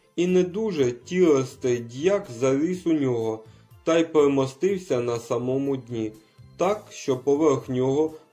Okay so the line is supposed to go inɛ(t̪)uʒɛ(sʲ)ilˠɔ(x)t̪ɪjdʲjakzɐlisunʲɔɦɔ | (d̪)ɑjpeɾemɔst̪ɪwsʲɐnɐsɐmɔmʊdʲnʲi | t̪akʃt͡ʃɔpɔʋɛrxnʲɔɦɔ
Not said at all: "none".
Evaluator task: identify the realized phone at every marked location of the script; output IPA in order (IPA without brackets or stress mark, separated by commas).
d̪, tʲ, s, t̪